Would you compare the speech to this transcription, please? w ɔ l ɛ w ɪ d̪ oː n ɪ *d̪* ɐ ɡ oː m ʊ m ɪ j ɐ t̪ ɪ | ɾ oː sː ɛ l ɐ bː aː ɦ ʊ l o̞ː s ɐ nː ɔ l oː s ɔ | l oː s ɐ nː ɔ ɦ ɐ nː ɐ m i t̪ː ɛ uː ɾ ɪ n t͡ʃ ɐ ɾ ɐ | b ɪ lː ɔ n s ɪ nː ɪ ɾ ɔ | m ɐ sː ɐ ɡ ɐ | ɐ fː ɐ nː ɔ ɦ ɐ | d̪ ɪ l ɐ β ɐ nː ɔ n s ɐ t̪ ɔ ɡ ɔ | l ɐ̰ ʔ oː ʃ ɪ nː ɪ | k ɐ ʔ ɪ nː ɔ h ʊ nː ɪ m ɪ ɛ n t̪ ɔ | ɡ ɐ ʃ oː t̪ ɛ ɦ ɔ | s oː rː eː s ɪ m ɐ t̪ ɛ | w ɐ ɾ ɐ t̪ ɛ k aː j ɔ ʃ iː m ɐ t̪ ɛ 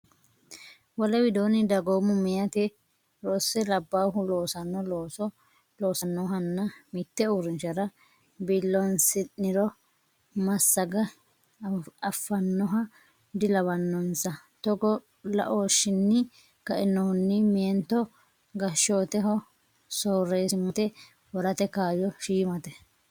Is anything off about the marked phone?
no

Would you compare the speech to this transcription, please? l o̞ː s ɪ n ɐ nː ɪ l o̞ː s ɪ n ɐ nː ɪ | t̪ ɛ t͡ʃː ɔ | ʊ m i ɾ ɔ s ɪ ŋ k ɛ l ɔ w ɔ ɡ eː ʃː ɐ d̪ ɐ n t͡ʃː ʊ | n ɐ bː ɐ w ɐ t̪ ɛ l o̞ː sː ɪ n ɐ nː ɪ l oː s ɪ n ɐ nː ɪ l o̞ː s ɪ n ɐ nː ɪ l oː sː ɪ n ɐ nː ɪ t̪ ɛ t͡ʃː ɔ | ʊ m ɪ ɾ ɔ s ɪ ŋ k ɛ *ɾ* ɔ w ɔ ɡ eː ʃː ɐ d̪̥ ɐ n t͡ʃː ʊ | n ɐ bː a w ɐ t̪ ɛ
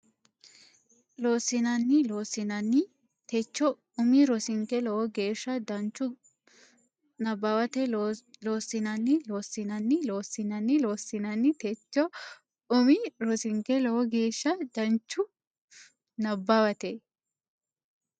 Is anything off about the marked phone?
yes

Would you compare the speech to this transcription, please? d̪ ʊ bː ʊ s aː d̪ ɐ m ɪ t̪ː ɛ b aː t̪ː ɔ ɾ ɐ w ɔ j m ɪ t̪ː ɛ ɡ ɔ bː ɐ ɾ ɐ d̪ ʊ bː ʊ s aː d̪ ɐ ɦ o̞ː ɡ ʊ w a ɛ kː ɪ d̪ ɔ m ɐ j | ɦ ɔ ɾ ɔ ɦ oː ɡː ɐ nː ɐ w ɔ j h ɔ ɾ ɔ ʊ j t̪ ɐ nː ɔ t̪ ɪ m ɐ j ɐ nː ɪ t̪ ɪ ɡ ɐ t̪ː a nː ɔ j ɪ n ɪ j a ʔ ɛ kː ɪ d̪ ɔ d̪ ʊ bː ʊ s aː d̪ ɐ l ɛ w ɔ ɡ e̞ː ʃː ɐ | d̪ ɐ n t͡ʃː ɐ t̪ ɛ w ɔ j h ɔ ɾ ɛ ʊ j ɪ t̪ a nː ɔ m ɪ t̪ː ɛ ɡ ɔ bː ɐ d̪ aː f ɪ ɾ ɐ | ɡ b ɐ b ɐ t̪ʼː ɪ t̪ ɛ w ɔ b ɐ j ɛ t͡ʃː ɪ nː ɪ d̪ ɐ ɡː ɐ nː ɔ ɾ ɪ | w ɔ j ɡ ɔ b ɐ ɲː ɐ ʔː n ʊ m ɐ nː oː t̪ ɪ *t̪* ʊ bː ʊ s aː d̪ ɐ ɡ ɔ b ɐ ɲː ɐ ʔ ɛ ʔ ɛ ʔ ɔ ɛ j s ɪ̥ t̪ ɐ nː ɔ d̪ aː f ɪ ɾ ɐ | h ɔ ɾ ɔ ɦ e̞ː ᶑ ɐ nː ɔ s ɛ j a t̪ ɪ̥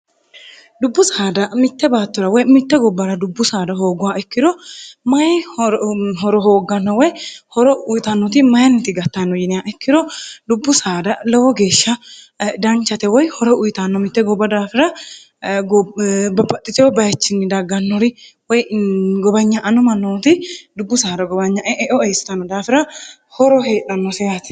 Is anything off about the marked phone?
yes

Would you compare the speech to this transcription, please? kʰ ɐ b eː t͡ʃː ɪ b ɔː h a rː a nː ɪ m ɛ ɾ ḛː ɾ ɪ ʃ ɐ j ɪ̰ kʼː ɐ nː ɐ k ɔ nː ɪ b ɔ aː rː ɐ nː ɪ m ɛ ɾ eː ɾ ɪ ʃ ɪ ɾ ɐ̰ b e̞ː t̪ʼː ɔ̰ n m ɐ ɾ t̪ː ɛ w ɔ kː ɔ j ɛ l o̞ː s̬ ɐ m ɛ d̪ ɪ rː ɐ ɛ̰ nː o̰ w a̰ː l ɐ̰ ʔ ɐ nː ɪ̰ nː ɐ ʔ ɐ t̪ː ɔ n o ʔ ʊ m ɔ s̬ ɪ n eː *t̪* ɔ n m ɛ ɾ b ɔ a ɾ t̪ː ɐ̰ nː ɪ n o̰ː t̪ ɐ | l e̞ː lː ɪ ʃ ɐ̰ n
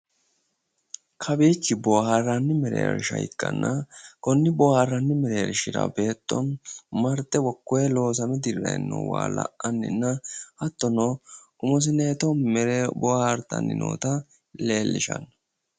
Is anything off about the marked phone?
no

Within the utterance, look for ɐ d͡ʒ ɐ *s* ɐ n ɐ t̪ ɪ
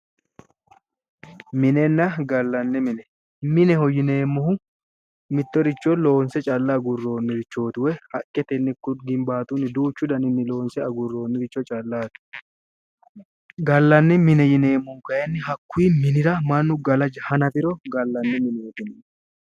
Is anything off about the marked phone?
yes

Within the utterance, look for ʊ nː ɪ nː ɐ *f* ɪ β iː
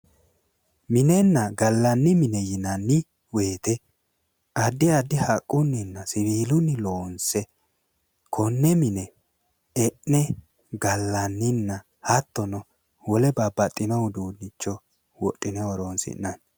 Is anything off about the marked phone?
yes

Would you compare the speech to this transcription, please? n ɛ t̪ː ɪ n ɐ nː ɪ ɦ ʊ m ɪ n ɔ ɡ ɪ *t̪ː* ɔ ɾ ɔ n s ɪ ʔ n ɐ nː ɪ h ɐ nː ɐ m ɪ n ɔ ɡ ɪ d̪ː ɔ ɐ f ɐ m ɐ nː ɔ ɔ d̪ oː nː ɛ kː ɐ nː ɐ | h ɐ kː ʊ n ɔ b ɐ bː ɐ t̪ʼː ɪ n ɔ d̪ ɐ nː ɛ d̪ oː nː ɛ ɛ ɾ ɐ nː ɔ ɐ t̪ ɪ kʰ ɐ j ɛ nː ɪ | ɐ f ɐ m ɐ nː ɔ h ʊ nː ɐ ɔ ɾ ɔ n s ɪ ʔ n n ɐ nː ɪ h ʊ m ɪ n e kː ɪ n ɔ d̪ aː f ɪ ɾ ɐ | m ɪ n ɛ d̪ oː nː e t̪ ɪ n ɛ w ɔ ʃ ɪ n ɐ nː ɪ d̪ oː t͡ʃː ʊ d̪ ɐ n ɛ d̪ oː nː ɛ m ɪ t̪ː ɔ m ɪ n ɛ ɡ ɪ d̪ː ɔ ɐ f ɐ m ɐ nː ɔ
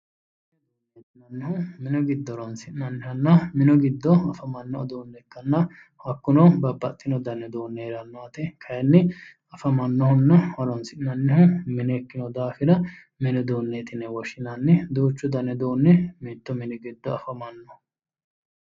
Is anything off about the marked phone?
yes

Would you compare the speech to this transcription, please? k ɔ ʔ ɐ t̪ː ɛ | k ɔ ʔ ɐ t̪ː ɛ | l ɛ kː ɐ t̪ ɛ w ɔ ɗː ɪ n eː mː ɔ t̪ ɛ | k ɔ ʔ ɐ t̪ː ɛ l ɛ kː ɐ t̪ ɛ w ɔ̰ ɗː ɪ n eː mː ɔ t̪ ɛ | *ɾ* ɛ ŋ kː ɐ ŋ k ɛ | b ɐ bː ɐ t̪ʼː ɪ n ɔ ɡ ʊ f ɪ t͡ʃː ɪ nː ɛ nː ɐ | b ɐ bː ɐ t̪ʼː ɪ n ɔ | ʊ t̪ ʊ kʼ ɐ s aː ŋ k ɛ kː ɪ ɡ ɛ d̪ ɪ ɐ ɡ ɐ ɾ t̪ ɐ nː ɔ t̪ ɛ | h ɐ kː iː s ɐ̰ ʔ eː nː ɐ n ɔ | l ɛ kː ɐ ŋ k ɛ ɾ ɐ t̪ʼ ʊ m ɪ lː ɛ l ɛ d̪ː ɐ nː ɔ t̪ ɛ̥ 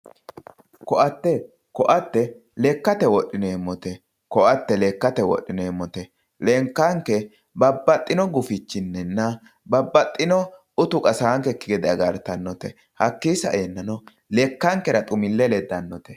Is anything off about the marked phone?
yes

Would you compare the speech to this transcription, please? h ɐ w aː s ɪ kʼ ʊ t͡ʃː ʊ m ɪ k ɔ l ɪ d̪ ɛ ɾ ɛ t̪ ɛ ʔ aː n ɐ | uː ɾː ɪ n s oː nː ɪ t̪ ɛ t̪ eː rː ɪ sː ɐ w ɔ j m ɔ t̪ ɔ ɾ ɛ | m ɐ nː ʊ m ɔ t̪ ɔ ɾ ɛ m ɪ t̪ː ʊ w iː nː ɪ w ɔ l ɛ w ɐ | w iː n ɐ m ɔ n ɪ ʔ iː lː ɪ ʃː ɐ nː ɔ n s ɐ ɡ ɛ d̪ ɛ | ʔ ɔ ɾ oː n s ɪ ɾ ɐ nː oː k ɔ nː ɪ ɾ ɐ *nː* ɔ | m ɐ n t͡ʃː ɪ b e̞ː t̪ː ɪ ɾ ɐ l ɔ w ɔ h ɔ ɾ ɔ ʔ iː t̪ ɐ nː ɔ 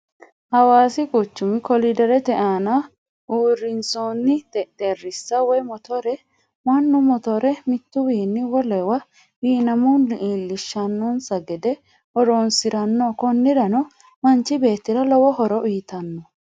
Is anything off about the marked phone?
yes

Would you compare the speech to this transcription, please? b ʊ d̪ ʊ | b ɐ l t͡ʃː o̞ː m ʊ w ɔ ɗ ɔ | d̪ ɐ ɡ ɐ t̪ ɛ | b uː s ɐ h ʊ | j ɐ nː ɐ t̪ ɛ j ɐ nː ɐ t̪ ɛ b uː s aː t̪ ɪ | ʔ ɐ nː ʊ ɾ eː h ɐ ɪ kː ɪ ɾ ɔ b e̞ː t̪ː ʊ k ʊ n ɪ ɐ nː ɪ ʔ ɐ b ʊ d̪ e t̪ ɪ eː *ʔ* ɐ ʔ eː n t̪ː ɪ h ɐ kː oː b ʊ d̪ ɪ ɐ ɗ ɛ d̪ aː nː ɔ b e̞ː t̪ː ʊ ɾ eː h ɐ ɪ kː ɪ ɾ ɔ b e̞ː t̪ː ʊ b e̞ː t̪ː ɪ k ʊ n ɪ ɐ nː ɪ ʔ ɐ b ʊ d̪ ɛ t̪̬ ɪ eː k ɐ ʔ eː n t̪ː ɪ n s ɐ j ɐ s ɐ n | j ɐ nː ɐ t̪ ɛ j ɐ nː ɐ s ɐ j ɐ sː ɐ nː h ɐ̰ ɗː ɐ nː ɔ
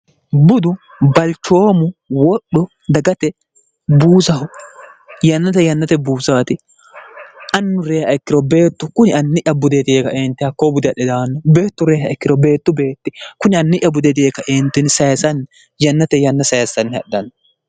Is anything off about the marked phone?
yes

